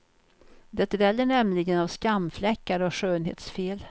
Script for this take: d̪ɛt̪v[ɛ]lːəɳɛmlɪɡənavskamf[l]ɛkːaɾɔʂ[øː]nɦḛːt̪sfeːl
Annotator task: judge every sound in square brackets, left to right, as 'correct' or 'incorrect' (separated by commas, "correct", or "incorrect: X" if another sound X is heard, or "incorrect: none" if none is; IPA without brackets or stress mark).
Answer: correct, correct, correct